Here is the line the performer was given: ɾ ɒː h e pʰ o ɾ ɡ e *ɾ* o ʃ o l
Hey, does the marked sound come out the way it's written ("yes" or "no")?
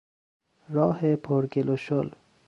no